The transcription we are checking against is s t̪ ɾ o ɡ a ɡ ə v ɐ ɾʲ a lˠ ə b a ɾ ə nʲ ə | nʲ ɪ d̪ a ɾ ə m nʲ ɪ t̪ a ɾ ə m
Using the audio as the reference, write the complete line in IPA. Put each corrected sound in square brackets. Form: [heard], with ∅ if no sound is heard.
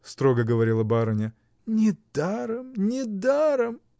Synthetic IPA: s t̪ ɾ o ɡ [ə] ɡ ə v ɐ ɾʲ [i] lˠ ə b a ɾ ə nʲ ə | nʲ ɪ d̪ a ɾ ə m nʲ ɪ [d̪] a ɾ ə m